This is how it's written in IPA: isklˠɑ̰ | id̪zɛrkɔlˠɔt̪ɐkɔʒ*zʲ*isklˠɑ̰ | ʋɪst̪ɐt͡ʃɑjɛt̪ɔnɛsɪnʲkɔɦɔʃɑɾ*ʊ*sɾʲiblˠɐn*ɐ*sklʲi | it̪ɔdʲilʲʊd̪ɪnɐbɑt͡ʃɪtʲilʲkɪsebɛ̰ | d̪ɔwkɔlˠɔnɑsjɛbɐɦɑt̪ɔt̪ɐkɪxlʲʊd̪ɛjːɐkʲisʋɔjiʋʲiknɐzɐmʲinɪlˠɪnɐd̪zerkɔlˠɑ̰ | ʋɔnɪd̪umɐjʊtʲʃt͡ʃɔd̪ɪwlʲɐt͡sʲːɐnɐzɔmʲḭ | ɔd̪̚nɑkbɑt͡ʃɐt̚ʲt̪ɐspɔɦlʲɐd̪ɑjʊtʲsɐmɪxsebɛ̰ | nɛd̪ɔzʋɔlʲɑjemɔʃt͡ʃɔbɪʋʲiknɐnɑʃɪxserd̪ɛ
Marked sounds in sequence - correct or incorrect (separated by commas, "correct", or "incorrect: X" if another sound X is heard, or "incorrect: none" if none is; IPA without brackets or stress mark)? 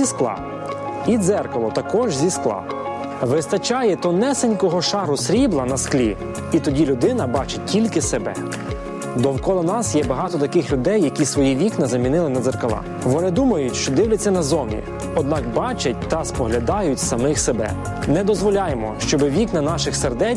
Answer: correct, correct, correct